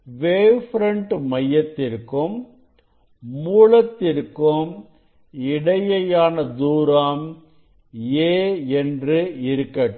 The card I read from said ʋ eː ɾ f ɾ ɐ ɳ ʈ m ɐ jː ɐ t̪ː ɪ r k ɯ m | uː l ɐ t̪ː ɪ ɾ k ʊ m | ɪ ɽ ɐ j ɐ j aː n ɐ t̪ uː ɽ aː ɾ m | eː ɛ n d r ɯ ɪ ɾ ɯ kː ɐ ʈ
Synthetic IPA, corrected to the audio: ʋ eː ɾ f ɾ ɐ ɳ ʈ m ɐ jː ɐ t̪ː ɪ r k ɯ m | uː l ɐ t̪ː ɪ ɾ k ɯ m | ɪ ɽ ɐ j ɐ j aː n ɐ d̪ uː ɾ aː m | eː ɛ n d r ɯ ɪ ɾ ɯ kː ɐ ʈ